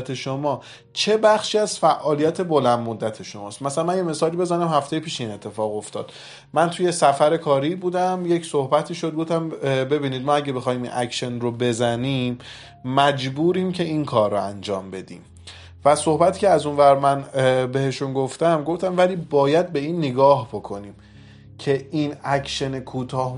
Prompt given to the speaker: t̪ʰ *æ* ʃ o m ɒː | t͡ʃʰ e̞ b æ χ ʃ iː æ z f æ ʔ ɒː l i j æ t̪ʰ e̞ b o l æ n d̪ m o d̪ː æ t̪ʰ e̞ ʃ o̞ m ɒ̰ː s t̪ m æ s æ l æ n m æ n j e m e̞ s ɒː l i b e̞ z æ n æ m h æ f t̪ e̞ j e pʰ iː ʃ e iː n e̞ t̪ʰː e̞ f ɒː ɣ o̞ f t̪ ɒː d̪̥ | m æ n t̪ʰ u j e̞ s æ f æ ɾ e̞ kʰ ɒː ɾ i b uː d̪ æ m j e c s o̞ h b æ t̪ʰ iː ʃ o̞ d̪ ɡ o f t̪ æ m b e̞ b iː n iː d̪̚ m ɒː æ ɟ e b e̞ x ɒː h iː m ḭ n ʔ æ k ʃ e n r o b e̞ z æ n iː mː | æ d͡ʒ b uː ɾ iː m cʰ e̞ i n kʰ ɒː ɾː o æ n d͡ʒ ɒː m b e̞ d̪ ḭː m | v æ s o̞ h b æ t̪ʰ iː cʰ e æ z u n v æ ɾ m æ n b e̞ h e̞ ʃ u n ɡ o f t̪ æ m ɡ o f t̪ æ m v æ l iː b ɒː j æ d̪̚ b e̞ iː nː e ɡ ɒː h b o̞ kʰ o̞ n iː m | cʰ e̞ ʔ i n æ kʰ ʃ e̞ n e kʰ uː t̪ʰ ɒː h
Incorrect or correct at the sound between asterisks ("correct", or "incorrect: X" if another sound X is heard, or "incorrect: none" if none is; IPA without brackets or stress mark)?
incorrect: e